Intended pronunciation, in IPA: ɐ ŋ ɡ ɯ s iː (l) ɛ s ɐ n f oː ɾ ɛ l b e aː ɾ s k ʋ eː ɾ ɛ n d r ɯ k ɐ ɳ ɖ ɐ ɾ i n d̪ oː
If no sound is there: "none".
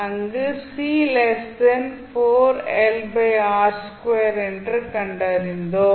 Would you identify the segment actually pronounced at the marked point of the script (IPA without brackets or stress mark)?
l